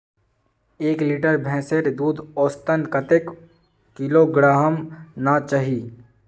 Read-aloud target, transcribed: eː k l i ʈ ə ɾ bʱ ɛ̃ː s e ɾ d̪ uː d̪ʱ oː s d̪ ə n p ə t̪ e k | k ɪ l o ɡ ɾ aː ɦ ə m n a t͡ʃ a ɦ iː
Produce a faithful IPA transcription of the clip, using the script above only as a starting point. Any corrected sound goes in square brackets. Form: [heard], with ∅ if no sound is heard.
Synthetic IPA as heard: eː k l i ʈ ə ɾ bʱ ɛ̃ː s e ɾ d̪ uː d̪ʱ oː s [t̪] ə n [k] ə t̪ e k | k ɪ l o ɡ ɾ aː ɦ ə m n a t͡ʃ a ɦ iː